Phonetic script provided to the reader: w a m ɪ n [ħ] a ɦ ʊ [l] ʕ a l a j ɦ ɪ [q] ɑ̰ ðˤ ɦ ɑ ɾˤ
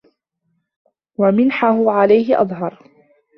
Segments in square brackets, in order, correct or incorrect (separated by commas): correct, incorrect, incorrect